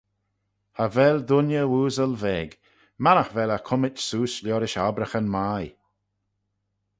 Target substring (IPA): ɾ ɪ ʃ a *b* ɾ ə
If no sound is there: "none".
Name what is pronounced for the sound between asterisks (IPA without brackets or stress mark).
b